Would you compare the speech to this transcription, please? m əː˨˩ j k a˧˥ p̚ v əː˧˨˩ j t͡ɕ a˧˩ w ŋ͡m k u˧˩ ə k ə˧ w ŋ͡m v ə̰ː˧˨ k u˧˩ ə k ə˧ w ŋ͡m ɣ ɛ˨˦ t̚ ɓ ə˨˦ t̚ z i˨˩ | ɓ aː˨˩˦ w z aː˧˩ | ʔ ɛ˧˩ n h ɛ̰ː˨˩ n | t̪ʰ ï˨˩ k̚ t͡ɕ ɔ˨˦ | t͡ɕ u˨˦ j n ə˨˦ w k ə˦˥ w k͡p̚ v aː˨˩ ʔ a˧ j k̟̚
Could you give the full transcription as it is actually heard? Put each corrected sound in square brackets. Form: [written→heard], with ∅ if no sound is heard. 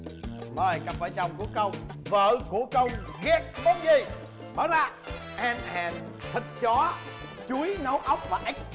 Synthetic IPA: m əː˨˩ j k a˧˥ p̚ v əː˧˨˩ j t͡ɕ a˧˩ w ŋ͡m k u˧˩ ə k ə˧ w ŋ͡m v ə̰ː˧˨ k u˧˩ ə k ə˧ w ŋ͡m ɣ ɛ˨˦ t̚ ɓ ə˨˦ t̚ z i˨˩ | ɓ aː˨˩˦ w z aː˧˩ | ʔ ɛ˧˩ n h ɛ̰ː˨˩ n | t̪ʰ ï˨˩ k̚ t͡ɕ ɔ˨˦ | t͡ɕ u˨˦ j n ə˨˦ w [k→ʔ] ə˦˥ w k͡p̚ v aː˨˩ ʔ [a˧→a˦˥] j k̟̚